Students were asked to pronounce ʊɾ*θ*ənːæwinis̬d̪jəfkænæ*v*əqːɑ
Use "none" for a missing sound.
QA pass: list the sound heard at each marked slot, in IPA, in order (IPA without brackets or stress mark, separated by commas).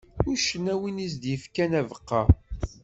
ʃ, v